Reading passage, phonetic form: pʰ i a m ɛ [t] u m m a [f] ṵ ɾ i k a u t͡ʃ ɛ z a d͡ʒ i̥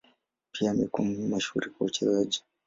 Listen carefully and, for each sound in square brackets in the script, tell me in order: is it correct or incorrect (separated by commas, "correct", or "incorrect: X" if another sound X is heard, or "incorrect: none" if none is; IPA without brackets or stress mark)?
incorrect: k, incorrect: ʃ